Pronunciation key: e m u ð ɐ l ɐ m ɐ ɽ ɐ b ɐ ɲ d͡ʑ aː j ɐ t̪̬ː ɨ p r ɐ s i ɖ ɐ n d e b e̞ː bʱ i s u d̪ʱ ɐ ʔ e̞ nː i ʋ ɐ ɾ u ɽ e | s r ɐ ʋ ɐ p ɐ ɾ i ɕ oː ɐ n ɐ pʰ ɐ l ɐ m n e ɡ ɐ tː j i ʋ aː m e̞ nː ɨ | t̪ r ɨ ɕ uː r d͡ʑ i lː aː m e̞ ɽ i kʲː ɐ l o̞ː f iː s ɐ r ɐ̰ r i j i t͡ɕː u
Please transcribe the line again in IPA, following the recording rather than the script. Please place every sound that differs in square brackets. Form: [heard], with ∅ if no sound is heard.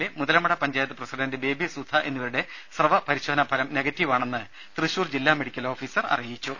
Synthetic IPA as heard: e m u ð ɐ l ɐ m ɐ ɽ ɐ [p] ɐ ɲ d͡ʑ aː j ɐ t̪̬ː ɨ p r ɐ s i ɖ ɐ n d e b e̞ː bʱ i s u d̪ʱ ɐ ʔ e̞ nː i ʋ ɐ ɾ u ɽ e | s r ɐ ʋ ɐ p ɐ ɾ i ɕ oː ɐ n ɐ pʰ ɐ l ɐ m n e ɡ ɐ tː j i ʋ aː [ɳ] e̞ nː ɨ | t̪ r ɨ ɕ uː r d͡ʑ i lː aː m e̞ ɽ i kʲː ɐ l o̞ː f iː s ɐ r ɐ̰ r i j i t͡ɕː u